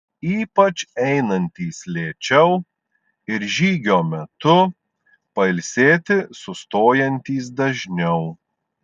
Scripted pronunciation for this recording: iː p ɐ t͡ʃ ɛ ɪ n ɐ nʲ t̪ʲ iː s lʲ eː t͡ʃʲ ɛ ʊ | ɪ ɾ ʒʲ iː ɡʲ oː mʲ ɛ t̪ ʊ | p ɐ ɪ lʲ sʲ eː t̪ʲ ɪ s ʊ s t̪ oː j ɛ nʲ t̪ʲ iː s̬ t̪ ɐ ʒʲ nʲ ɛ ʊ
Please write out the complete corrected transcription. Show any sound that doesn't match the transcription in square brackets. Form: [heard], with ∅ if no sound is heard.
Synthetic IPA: iː p ɐ t͡ʃ ɛ ɪ n ɐ nʲ t̪ʲ iː s lʲ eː t͡ʃʲ ɛ ʊ | ɪ ɾ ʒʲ iː ɡʲ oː mʲ ɛ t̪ ʊ | p ɐ ɪ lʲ sʲ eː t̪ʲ ɪ s ʊ s t̪ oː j ɛ nʲ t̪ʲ iː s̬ [d̪] ɐ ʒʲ nʲ ɛ ʊ